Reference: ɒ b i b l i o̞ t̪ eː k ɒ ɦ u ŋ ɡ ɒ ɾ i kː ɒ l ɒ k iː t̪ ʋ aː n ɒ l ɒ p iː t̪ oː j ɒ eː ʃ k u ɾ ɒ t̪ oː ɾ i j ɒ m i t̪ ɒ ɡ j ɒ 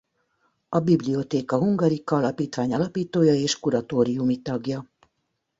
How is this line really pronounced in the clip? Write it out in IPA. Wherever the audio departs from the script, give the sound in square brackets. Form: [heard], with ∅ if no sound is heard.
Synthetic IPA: ɒ b i b l i o̞ t̪ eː k ɒ ɦ u ŋ ɡ ɒ ɾ i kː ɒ l ɒ [p] iː t̪ ʋ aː [ɲ] ɒ l ɒ p iː t̪ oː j ɒ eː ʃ k u ɾ ɒ t̪ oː ɾ i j [u] m i t̪ ɒ ɡ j ɒ